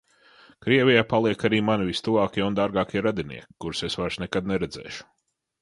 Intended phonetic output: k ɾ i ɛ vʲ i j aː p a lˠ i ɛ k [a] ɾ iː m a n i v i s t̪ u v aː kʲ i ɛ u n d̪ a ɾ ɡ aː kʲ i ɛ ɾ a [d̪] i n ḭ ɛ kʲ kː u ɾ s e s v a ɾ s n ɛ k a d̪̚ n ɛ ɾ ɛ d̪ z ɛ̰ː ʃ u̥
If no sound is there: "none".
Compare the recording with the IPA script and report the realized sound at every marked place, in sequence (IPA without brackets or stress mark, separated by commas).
a, d̪